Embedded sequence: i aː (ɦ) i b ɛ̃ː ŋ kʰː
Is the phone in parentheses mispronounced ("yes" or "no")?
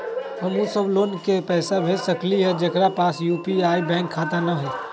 yes